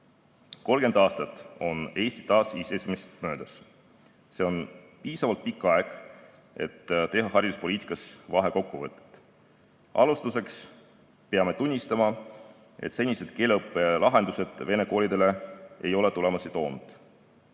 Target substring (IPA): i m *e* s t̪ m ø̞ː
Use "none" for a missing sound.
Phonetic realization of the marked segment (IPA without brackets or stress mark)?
e